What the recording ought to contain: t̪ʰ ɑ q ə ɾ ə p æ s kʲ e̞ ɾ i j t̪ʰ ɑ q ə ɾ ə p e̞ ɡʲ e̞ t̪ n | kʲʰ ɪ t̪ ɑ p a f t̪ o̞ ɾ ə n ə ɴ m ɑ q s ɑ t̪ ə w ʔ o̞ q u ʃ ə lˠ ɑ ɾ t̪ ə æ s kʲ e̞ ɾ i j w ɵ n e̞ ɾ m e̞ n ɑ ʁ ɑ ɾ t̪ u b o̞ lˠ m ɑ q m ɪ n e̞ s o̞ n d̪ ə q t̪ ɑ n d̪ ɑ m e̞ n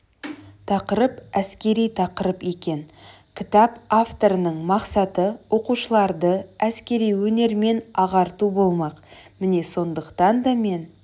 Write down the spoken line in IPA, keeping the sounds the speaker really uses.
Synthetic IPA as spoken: t̪ʰ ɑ q ə ɾ ə p æ s kʲ e̞ ɾ i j t̪ʰ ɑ q ə ɾ ə p e̞ kʲ e̞ n | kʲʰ ɪ t̪ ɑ p a f t̪ o̞ ɾ ə n ə ɴ m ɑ q s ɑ t̪ ə w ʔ o̞ q u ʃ ə lˠ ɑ ɾ d̪ ə æ s kʲ e̞ ɾ i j w ɵ n e̞ ɾ m e̞ n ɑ ʁ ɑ ɾ t̪ u b o̞ lˠ m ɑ q m ɪ n e̞ s o̞ n d̪ ə q t̪ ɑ n d̪ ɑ m e̞ n

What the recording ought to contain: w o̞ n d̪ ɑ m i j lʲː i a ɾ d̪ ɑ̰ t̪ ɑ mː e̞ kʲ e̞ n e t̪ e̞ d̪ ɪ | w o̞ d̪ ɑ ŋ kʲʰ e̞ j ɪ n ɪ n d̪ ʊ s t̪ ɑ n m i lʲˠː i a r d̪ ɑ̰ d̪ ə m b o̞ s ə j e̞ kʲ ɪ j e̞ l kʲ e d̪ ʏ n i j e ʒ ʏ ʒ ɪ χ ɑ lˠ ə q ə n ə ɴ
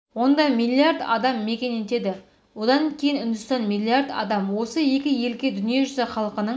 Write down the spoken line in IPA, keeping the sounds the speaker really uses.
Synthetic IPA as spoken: w o̞ n d̪ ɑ m i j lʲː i a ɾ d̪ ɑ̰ d̪ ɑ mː e̞ kʲ e̞ n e t̪ e̞ d̪ ɪ | w o̞ d̪ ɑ ŋ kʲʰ e̞ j ɪ n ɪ n d̪ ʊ s t̪ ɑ n m i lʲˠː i a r d̪ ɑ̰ d̪ ɑ m w o̞ s ə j e̞ kʲ ɪ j e̞ l kʲ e d̪ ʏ n i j e ʒ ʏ z ɪ χ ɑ lˠ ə q ə n ə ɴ

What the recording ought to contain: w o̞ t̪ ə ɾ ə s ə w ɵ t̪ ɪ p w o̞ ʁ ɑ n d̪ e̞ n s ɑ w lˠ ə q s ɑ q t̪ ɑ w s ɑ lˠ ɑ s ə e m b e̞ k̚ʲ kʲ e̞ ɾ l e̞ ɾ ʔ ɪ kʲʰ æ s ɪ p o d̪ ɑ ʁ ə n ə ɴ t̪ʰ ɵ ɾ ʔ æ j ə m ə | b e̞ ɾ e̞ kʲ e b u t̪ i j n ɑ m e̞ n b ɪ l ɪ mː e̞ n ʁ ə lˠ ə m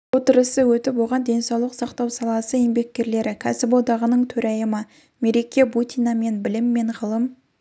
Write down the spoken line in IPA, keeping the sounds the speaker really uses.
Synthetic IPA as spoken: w o̞ t̪ ə ɾ ə s ə w ɵ t̪ ɪ p w o̞ ʁ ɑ n d̪ e̞ n s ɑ w lˠ ə q s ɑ q t̪ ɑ w s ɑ lˠ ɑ s ə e m b e̞ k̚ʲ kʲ e̞ ɾ l e̞ ɾ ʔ ɪ kʲʰ æ s ɪ p o d̪ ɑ ʁ ə n ə ɴ t̪ʰ ɵ ɾ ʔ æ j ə m ə | m e̞ ɾ e̞ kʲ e b u t̪ i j n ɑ m e̞ n b ɪ l ɪ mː e̞ ɴ ʁ ə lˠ ə m

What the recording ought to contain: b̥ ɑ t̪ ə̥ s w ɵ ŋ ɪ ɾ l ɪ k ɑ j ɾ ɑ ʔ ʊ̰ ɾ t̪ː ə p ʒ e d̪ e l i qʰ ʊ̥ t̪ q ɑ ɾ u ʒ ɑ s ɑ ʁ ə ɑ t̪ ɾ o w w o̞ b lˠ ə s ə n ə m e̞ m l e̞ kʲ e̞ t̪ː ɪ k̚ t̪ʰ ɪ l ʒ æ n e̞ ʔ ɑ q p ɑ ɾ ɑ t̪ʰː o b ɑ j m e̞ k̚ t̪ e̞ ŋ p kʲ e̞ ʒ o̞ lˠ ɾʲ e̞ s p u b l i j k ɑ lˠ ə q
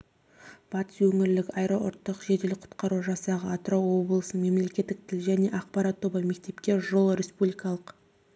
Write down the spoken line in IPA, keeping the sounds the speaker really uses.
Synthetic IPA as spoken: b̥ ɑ t̪ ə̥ s w ɵ ŋ ɪ ɾ l ɪ k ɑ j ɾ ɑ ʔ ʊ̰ ɾ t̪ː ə q ʒ e d̪ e l ɪ qʰ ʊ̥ t̪ q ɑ ɾ u ʒ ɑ s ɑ ʁ ə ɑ t̪ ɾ o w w o̞ b lˠ ə s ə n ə m e̞ m l e̞ kʲ e̞ t̪ː ɪ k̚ t̪ʰ ɪ l ʒ æ n e̞ ʔ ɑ q p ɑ ɾ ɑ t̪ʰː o b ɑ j m e̞ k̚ t̪ e̞ p kʲ e̞ ʒ o̞ lˠ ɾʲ e̞ s p u b l i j k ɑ lˠ ə q

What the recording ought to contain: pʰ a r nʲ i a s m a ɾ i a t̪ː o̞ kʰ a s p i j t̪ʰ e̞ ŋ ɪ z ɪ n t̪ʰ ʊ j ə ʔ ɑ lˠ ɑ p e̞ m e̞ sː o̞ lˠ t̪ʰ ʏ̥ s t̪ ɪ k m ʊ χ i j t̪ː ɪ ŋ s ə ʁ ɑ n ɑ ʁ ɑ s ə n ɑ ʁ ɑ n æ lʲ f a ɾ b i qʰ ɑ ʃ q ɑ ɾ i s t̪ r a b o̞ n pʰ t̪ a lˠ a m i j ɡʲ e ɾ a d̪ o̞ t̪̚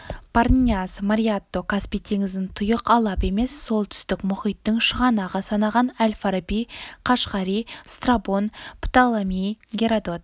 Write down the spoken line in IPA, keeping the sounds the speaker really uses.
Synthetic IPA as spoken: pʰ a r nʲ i a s m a ɾ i a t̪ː o̞ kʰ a s p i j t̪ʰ e̞ ŋ ɪ z ɪ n t̪ʰ ʊ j ə q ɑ lˠ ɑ p e̞ m e̞ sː o̞ lˠ t̪ʰ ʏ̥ s t̪ ɪ k m ʊ χ i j t̪ː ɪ ŋ ʃ ə ʁ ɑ n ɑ ʁ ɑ s ɑ n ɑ ʁ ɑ n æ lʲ f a ɾ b i qʰ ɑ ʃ q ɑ ɾ i s t̪ r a b o̞ n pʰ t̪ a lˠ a m i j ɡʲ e ɾ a d̪ o̞ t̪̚

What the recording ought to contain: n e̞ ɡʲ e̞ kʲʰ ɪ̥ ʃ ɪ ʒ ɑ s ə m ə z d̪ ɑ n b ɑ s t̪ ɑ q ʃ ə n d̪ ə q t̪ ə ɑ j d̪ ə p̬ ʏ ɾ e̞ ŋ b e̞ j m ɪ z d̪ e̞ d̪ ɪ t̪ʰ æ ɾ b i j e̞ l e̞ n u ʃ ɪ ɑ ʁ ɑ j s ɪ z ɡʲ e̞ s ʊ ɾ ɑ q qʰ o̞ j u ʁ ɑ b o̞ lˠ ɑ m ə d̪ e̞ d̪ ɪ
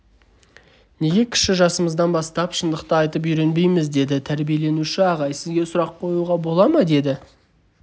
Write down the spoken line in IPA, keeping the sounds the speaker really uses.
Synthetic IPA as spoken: n e̞ ɡʲ e̞ kʲʰ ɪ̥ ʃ ɪ ʒ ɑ s ə m ə z d̪ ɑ n b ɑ s t̪ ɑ p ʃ ə n d̪ ə q t̪ ə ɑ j t̪ ə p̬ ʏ ɾ e̞ n b e̞ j m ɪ z d̪ e̞ d̪ ɪ t̪ʰ æ ɾ b i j e̞ l e̞ n u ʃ ɪ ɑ ʁ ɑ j s ɪ z ɡʲ e̞ s ʊ ɾ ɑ q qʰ o̞ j u ʁ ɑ b o̞ lˠ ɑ m ɑ d̪ e̞ d̪ ɪ

